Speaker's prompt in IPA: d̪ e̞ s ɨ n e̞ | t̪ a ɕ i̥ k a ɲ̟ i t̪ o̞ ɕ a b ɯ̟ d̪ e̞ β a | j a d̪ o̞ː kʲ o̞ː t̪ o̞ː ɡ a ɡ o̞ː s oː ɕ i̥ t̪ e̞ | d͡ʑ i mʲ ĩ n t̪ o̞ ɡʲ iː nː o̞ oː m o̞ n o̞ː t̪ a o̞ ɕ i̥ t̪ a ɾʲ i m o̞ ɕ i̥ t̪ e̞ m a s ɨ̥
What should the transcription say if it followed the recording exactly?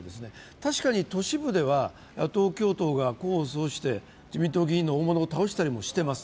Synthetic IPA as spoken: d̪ e̞ s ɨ n e̞ | t̪ a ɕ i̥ k a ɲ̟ i t̪ o̞ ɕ i b ɯ̟ d̪ e̞ β a | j a t̪ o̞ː kʲ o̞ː t̪ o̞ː ɡ a k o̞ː s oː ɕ i̥ t̪ e̞ | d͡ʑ i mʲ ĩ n t̪ o̞ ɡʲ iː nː o̞ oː m o̞ n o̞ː t̪ a o̞ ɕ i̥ t̪ a ɾʲ i m o̞ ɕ i̥ t̪ e̞ m a s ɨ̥